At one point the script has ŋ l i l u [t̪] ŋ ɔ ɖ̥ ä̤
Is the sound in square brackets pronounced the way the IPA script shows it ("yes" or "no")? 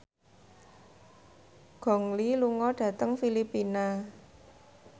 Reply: no